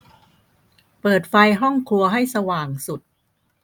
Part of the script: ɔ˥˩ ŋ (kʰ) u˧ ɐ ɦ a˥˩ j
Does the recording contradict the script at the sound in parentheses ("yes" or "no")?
no